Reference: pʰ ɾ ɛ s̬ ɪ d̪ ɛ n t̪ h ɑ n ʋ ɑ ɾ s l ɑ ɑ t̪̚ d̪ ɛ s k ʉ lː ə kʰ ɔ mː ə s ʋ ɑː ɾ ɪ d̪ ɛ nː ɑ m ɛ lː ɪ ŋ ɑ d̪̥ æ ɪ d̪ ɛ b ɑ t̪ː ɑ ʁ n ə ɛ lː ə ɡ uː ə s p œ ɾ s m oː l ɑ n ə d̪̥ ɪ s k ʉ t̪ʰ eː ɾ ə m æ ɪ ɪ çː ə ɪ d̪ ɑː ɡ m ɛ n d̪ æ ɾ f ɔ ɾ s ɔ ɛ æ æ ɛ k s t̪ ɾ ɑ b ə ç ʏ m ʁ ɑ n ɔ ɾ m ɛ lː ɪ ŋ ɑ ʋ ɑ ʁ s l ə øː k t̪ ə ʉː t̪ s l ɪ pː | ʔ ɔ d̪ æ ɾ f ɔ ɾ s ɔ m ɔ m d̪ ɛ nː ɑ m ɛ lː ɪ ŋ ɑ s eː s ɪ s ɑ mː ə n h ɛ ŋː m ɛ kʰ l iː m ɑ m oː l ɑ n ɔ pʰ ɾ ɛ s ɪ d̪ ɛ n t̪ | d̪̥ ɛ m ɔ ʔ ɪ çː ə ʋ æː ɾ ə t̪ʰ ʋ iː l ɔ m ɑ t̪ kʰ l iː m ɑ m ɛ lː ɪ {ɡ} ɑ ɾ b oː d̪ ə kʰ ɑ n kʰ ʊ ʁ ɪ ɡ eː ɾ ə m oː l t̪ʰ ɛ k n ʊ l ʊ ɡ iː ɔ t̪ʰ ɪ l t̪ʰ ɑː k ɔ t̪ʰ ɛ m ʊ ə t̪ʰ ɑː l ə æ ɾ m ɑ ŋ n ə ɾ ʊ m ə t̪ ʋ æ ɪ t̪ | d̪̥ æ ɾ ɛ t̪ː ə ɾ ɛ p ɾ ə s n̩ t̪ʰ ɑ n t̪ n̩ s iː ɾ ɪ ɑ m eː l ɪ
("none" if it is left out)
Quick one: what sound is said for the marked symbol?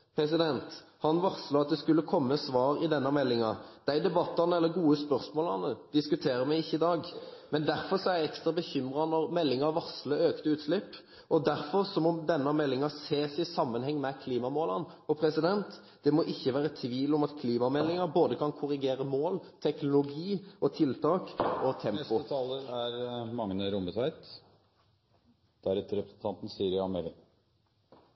ŋ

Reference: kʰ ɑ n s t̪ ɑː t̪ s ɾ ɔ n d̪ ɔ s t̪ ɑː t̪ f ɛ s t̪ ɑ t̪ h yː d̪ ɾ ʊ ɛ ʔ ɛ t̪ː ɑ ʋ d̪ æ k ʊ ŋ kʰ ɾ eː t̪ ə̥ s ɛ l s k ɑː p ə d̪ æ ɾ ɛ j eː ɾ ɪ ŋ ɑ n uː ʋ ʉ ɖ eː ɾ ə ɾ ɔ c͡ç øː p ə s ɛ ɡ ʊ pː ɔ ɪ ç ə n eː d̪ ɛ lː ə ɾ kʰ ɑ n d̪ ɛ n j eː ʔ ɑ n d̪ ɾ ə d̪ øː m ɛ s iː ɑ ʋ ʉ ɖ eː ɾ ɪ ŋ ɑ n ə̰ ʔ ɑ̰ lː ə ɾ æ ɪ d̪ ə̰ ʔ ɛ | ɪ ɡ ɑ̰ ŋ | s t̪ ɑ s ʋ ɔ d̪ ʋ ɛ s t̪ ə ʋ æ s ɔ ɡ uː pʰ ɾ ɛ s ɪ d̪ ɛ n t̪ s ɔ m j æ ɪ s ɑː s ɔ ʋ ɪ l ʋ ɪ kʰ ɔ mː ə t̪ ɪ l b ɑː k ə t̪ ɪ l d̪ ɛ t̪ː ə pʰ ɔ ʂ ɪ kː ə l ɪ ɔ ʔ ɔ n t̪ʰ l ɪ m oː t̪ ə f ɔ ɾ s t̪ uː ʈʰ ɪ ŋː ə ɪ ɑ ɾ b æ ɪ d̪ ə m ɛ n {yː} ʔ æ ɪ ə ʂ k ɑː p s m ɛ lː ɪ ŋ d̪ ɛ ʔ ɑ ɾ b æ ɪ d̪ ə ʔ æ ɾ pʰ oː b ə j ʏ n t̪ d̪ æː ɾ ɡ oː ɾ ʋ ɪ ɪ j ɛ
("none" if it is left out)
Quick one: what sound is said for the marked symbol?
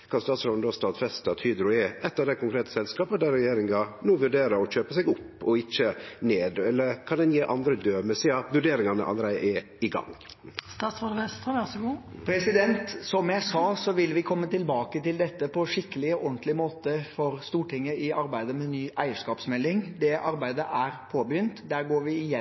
yː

